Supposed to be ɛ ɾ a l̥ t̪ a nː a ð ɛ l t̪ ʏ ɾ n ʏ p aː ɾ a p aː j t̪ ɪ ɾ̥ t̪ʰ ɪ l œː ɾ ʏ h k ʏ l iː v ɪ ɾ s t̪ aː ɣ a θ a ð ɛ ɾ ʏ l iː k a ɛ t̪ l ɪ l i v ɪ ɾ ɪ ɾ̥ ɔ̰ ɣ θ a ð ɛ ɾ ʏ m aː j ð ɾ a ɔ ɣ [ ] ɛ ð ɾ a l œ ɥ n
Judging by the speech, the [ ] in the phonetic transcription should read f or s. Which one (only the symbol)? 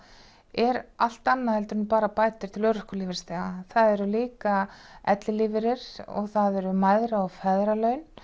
f